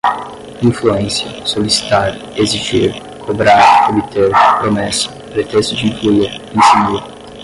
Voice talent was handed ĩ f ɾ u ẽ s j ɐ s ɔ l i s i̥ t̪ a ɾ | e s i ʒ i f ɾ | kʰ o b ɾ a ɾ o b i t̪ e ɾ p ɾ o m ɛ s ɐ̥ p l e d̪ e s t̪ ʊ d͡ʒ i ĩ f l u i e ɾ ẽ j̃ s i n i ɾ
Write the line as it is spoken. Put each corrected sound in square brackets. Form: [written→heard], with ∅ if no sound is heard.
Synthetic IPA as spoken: ĩ f [ɾ→l] u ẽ s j ɐ s [ɔ→o] l i s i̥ t̪ a ɾ | e [s→z] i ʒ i [f→∅] ɾ | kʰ o b ɾ a ɾ o b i t̪ e ɾ p ɾ o m ɛ s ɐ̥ p [l→ɾ] e [d̪→t̪] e s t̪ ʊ d͡ʒ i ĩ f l u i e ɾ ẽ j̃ s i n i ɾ